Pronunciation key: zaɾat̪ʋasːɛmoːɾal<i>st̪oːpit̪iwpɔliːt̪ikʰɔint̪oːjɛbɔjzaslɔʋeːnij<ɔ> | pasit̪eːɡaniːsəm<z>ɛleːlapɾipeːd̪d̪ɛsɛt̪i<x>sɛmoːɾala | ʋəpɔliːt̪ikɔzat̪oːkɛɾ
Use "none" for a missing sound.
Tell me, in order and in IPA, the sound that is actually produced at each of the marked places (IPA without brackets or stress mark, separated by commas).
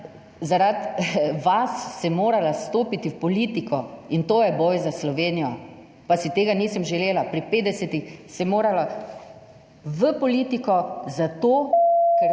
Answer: a, ɔ, ʒ, x